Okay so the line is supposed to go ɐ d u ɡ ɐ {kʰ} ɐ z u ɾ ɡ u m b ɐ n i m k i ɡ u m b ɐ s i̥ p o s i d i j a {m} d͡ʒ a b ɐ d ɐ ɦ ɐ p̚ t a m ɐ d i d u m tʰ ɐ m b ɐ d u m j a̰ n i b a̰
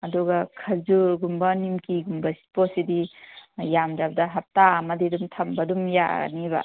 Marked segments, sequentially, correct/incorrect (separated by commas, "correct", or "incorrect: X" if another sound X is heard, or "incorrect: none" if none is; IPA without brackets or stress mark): correct, correct